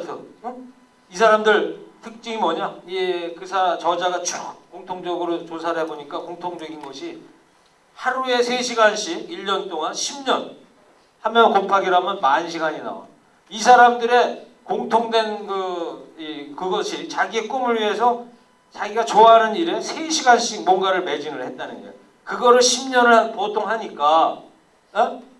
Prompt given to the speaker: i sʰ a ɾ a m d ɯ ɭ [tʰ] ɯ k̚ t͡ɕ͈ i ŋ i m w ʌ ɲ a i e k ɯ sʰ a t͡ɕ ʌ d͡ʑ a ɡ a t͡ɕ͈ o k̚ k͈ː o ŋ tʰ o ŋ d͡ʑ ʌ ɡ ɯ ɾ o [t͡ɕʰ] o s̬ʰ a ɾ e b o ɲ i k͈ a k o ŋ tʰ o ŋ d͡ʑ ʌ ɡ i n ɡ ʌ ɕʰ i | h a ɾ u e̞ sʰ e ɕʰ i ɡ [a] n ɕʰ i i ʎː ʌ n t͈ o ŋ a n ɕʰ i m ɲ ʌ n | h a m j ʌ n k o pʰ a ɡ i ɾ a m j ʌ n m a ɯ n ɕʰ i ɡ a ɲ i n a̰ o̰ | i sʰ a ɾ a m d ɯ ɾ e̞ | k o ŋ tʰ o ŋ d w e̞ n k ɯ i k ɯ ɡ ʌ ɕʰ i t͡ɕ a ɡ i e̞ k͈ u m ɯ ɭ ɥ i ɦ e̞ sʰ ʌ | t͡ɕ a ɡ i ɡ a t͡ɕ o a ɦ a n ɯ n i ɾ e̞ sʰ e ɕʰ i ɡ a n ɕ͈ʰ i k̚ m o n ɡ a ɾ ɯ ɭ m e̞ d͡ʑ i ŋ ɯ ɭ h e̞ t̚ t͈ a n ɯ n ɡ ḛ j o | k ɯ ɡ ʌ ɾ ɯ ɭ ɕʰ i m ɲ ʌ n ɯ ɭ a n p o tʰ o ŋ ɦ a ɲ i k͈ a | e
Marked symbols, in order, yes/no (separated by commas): yes, no, yes